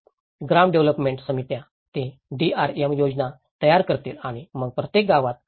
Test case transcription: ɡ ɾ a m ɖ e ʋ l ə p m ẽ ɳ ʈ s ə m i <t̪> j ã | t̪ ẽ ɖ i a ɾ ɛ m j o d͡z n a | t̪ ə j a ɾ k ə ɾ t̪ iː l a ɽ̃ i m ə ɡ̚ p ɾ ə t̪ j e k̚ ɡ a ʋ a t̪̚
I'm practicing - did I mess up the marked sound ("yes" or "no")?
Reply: no